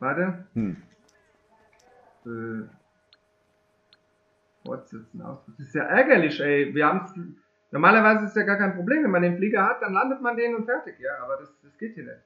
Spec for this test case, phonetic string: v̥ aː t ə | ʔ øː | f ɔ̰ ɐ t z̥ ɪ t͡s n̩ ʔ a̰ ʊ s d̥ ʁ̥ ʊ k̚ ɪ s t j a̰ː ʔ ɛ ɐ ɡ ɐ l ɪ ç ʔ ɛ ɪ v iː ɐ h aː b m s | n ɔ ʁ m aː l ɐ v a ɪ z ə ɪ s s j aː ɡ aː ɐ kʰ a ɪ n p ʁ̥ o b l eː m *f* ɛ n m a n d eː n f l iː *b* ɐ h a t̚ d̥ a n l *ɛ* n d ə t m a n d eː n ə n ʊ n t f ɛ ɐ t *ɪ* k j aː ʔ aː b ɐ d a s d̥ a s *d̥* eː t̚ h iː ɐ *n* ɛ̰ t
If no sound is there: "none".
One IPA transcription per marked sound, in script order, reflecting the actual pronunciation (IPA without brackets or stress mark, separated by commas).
v, ɡ, a, ɪ, ɡ̥, n